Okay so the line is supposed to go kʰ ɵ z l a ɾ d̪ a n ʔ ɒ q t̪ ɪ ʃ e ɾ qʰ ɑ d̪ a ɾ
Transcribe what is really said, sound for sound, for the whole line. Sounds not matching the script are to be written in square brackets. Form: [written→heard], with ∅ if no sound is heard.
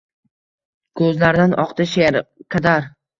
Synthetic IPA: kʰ ɵ z l a ɾ d̪ a n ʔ ɒ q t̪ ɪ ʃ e ɾ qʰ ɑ d̪ a ɾ